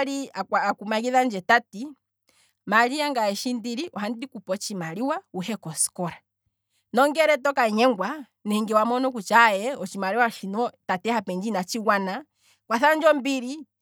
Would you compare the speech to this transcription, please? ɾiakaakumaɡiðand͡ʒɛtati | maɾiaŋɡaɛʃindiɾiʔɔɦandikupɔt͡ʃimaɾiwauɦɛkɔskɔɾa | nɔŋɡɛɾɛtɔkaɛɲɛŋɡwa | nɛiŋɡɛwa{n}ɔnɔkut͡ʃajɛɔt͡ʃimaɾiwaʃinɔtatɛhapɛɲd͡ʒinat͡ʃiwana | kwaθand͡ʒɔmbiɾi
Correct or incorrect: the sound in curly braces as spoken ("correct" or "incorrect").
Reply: incorrect